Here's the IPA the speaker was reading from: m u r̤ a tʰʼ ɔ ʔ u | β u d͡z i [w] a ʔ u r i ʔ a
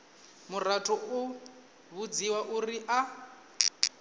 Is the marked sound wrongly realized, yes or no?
no